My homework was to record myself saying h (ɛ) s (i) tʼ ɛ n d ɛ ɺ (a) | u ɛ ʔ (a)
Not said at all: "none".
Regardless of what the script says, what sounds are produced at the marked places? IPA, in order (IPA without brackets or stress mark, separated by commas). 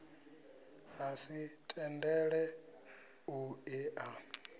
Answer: a, i, ɛ, a